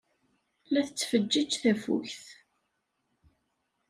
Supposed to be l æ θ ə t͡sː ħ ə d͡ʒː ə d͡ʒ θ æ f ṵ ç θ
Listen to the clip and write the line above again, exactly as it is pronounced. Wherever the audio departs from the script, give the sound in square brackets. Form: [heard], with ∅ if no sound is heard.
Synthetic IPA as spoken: l æ θ ə t͡sː [f] ə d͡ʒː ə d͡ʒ θ æ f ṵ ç θ